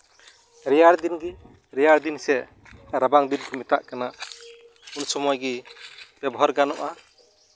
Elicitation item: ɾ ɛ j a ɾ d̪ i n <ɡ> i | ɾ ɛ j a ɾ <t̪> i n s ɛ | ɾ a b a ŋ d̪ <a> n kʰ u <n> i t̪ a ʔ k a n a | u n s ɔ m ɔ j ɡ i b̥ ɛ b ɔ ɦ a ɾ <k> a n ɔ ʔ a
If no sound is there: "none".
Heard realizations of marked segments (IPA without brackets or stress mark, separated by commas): ɡ, d̪, i, m, ɡ